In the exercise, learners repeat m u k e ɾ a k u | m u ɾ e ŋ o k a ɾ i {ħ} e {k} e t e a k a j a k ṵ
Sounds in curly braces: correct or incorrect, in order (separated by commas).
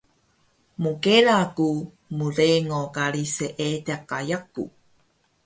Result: incorrect, incorrect